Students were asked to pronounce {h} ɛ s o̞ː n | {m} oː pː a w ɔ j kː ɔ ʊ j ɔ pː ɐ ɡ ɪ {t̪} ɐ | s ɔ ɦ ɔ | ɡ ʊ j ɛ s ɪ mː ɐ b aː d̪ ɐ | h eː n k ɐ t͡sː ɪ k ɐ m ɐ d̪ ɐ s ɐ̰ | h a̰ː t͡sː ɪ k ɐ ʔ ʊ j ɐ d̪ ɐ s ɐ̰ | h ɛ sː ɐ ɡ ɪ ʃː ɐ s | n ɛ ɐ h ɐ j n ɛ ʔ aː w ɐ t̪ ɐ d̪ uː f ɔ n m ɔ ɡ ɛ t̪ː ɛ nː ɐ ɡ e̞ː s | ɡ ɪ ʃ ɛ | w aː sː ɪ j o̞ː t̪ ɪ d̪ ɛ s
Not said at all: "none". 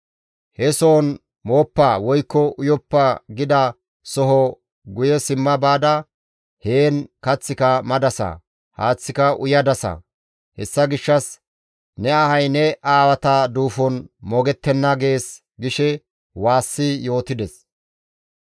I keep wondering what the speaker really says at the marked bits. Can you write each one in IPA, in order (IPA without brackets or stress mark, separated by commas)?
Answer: h, m, d̪